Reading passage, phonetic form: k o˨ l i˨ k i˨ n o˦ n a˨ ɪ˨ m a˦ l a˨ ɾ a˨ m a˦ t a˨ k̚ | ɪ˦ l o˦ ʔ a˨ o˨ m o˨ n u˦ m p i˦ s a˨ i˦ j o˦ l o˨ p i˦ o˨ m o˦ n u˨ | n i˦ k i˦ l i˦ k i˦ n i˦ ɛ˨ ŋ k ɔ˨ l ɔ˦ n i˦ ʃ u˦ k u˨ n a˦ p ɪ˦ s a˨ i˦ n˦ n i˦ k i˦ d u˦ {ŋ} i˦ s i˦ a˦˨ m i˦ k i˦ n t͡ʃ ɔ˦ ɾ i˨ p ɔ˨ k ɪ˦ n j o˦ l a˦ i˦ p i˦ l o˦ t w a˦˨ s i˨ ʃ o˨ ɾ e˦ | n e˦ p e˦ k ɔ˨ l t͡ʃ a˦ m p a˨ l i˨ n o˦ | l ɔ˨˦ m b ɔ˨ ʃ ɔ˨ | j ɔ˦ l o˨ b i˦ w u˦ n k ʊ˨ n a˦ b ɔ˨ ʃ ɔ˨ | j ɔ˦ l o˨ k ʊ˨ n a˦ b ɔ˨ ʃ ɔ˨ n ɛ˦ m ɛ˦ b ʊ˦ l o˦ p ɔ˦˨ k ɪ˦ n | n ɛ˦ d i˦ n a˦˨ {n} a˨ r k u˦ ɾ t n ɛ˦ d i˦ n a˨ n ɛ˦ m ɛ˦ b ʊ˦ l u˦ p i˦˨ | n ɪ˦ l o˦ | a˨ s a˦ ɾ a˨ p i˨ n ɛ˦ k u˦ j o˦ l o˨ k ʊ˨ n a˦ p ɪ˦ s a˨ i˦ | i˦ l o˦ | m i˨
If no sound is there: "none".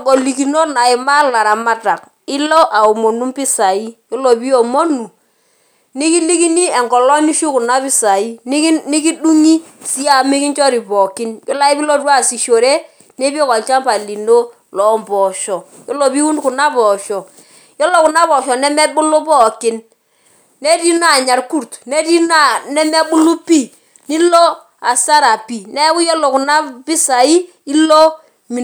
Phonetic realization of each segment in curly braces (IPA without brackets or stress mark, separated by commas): ŋ, ɲ